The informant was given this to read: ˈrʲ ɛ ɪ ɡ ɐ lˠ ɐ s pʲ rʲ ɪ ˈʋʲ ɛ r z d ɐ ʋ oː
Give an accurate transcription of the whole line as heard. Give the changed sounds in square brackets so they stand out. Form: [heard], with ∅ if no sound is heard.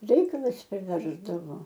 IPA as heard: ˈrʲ ɛ ɪ [k] ɐ lˠ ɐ s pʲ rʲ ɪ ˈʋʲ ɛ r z d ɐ ʋ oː